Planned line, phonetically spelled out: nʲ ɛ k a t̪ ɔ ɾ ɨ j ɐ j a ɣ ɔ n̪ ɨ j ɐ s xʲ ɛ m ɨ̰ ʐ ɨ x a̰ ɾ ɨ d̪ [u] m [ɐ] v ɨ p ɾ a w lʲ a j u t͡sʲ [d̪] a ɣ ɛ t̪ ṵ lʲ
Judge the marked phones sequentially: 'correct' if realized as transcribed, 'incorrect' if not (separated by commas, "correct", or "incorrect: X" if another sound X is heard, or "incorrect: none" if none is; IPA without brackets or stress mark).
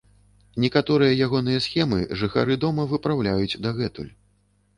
incorrect: ɔ, correct, correct